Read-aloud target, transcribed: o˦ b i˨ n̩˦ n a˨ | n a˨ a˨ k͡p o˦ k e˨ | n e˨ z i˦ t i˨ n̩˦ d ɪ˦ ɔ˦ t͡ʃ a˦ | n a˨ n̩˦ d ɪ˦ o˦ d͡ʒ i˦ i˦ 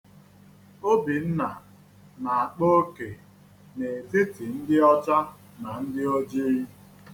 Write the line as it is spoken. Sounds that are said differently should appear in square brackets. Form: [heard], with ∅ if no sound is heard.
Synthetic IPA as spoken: o˦ b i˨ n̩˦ n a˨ | n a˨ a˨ k͡p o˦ k e˨ | n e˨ z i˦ t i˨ n̩˦ d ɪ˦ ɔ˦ t͡ʃ a˦ | n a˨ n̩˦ d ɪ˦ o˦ d͡ʒ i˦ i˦